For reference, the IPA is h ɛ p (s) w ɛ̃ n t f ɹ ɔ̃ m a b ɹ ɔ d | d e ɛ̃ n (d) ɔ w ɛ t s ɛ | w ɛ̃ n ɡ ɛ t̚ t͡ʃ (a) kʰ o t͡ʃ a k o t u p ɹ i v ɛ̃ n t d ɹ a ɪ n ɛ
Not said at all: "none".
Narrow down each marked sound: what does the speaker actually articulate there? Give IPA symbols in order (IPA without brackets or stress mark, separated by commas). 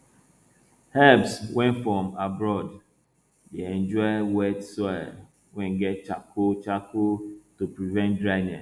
s, d͡ʒ, a